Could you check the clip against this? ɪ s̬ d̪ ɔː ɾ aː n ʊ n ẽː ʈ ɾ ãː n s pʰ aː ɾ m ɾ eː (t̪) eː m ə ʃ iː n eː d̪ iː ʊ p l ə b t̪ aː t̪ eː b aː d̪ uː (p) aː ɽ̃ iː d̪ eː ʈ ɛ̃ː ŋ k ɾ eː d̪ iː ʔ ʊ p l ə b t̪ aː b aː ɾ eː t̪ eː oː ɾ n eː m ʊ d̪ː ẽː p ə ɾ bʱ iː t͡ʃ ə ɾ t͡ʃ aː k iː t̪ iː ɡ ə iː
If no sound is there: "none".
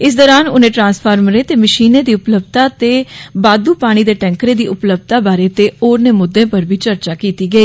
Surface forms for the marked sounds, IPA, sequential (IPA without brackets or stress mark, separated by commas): t̪, p